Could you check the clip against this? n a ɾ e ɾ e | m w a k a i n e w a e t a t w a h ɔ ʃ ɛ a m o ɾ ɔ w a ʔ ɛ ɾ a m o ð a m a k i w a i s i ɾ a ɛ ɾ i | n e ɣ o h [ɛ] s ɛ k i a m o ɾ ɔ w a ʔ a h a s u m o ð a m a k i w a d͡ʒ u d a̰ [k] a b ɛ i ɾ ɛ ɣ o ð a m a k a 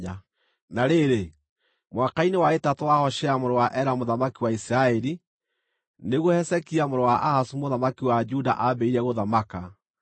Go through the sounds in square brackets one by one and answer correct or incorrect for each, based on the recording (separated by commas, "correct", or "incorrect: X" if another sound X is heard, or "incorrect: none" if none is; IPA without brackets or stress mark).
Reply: correct, incorrect: ʔ